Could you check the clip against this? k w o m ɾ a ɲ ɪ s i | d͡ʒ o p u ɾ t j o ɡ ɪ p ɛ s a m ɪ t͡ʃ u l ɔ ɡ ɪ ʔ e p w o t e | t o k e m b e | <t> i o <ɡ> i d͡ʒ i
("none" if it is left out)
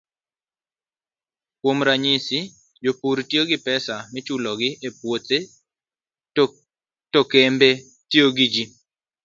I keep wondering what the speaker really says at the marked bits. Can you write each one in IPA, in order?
t, ɡ

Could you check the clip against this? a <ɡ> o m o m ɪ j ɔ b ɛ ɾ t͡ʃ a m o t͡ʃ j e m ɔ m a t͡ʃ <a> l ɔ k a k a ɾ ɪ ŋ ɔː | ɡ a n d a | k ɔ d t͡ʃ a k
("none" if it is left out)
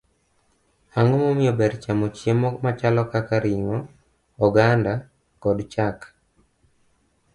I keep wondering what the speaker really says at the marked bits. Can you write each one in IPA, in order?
ŋ, a

